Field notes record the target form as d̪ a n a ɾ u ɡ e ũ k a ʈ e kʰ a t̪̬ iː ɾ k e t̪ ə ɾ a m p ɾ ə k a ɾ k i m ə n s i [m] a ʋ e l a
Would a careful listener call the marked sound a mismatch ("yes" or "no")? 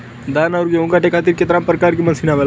yes